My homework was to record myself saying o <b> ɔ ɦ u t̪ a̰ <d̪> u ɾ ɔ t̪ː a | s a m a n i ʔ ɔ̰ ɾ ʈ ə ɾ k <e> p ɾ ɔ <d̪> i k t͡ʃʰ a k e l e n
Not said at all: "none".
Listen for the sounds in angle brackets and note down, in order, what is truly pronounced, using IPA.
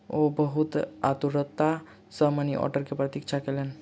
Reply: b, t̪, e, t̪

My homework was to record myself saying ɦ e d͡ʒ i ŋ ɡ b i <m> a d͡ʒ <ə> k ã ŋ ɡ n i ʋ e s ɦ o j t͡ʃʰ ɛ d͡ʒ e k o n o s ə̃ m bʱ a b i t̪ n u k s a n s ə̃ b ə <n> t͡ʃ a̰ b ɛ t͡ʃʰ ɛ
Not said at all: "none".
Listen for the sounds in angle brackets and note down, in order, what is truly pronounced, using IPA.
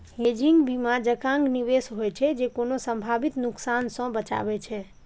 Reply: m, ə, none

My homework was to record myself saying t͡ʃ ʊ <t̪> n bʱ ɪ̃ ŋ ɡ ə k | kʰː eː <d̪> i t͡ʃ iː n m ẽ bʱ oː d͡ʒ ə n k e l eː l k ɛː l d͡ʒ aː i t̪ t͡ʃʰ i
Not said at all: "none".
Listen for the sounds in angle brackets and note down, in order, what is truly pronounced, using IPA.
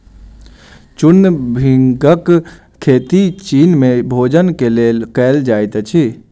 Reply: none, t̪

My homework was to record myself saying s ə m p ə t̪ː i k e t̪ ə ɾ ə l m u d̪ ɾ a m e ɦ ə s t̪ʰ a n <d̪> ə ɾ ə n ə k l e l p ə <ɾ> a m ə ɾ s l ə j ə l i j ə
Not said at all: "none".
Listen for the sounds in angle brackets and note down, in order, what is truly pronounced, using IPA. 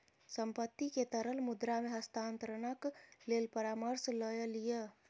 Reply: t̪, ɾ

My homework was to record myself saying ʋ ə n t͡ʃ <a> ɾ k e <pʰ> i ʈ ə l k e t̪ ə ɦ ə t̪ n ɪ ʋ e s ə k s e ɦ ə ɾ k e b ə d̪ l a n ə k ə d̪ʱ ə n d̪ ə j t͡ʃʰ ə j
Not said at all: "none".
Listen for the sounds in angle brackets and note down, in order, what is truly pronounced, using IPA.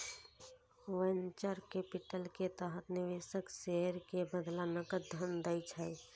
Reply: ə, p

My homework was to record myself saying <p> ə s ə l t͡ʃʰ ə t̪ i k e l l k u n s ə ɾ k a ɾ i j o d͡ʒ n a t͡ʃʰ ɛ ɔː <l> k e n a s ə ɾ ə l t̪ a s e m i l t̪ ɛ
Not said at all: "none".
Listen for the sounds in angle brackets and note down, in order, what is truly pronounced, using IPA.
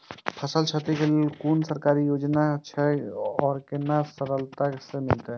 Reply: pʰ, ɾ

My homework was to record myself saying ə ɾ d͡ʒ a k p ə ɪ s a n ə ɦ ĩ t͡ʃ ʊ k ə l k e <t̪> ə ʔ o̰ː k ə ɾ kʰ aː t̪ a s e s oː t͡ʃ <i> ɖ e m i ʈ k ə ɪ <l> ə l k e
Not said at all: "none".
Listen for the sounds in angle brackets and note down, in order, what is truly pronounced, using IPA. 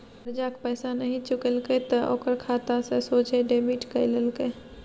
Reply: t̪, e, l

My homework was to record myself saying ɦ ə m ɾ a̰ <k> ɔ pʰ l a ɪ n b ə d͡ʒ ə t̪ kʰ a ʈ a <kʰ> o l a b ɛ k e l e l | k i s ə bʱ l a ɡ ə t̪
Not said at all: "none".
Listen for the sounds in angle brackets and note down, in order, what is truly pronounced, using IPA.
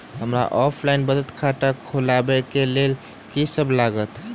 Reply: ʔ, kʰ

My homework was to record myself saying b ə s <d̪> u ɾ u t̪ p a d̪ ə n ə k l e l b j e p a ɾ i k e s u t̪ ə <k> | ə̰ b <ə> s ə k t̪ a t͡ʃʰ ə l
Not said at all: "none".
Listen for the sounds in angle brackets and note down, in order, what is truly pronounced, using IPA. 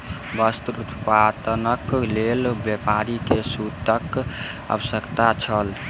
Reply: t̪, k, ə

